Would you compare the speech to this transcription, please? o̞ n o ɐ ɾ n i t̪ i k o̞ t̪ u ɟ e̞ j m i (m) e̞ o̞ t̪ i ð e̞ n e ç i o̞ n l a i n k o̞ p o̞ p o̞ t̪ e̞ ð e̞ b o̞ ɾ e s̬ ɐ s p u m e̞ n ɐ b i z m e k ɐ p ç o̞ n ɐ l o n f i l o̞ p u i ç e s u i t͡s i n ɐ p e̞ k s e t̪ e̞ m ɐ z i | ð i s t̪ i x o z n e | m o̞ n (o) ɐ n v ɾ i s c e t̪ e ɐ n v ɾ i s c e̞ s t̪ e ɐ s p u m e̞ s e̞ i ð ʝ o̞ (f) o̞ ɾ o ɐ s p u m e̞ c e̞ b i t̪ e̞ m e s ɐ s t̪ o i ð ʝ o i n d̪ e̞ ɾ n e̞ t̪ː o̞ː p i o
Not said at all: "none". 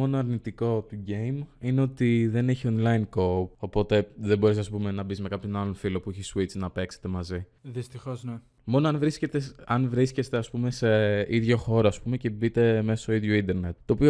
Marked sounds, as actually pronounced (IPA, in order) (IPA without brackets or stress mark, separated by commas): n, o, x